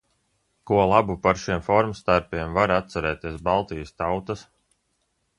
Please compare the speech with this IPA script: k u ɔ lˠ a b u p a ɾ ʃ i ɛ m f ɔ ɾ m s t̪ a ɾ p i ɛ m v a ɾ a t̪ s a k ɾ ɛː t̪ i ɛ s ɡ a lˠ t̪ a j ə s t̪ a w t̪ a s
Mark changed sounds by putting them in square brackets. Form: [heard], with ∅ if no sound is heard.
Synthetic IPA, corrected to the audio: k u ɔ lˠ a b u p a ɾ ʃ i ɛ m f ɔ ɾ m s t̪ a ɾ p i ɛ m v a ɾ a t̪ s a [∅] ɾ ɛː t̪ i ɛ s [b] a lˠ t̪ [i] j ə s t̪ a w t̪ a s